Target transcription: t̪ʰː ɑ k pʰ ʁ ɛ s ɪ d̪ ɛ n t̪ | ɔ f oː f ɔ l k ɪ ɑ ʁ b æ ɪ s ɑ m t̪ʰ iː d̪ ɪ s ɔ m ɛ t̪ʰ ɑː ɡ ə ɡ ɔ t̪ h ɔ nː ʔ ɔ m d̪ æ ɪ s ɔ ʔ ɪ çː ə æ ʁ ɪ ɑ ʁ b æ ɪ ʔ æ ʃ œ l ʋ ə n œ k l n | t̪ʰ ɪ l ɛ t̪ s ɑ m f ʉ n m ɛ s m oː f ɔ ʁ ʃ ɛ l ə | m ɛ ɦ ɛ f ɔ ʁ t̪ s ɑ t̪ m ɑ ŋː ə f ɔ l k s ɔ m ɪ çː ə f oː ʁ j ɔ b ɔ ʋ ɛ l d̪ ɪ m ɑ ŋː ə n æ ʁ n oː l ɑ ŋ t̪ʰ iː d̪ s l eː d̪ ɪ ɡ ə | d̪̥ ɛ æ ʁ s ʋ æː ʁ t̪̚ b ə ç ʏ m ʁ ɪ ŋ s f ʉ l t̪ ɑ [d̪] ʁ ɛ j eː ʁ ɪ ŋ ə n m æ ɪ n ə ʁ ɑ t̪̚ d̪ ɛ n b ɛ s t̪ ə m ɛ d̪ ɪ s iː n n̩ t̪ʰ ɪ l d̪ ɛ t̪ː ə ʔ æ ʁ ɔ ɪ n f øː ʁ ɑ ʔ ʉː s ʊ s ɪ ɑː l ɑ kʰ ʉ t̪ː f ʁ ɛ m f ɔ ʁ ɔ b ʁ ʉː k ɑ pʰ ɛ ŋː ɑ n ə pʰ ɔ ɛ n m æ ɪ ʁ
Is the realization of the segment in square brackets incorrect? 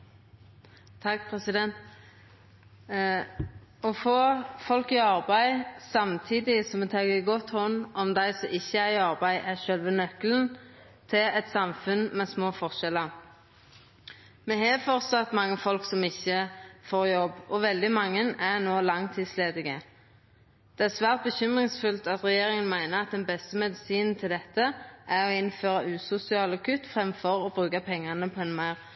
yes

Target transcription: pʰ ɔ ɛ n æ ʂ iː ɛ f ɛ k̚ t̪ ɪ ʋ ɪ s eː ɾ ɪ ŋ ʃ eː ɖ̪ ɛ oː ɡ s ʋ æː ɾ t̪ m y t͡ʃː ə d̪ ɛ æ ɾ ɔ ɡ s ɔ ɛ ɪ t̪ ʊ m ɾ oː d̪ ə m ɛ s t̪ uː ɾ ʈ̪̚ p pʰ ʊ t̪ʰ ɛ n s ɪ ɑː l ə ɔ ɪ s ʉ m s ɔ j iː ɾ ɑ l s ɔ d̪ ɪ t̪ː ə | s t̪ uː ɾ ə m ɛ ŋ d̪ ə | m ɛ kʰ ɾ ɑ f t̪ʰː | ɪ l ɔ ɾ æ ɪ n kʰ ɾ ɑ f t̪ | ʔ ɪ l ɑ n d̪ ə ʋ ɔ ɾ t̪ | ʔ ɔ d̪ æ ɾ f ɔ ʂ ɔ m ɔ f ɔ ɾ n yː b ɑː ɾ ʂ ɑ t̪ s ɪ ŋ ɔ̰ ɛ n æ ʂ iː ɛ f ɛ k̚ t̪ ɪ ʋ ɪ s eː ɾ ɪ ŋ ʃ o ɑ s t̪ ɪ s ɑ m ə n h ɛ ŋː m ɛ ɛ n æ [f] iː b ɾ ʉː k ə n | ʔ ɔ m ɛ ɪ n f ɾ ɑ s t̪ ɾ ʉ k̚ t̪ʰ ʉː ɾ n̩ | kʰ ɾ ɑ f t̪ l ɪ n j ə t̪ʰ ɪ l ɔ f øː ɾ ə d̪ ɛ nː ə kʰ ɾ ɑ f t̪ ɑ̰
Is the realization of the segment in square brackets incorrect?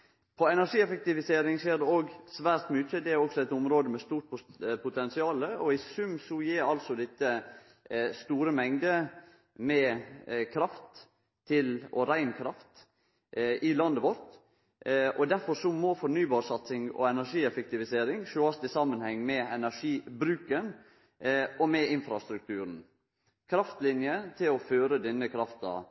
yes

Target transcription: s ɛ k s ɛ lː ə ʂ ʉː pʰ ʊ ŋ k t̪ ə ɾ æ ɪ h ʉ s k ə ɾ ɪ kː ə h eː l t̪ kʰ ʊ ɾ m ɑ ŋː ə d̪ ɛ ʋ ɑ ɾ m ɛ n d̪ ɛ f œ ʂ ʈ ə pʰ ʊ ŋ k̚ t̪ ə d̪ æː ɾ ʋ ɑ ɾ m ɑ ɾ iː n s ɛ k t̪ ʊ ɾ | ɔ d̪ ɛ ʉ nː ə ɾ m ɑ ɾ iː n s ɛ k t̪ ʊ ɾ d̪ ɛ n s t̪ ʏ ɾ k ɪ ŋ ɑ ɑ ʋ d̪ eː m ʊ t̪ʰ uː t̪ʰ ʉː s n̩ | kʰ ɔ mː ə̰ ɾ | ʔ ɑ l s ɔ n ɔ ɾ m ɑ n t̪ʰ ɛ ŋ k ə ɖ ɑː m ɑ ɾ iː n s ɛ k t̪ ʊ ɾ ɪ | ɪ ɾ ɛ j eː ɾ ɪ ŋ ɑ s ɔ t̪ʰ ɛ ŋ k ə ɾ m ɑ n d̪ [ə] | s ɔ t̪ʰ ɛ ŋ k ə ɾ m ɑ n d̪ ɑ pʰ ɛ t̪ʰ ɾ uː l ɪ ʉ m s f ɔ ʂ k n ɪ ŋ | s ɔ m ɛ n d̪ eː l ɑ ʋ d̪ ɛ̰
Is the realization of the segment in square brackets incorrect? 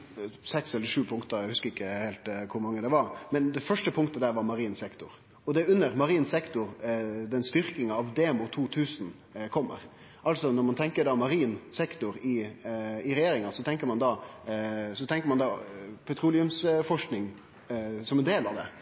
yes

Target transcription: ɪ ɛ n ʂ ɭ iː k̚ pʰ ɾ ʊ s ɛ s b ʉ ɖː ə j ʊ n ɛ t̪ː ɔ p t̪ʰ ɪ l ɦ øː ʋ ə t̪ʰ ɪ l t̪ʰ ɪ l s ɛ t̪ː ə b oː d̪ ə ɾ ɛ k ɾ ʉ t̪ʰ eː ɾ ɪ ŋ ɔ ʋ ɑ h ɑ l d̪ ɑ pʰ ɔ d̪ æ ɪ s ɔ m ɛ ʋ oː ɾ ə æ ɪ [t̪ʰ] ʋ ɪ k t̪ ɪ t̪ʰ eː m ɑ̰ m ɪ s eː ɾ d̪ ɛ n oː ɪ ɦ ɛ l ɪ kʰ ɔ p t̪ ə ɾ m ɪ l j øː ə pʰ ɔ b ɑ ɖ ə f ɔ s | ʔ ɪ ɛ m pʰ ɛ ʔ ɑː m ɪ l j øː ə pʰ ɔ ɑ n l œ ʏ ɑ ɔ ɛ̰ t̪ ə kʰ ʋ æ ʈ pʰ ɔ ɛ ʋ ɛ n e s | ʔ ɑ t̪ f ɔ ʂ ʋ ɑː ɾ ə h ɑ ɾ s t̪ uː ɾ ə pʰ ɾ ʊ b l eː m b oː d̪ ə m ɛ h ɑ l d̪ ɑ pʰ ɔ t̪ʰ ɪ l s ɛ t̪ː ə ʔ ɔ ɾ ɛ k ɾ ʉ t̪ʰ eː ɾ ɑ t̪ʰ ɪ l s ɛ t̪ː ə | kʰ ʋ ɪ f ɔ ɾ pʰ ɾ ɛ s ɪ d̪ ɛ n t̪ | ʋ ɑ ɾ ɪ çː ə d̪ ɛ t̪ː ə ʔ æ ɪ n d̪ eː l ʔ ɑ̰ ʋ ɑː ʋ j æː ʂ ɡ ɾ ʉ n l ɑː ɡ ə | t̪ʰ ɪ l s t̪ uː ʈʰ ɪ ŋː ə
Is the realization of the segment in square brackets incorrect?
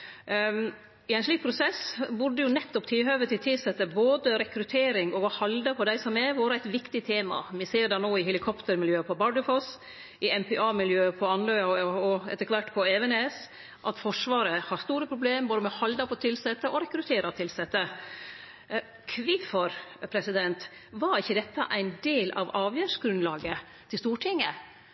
yes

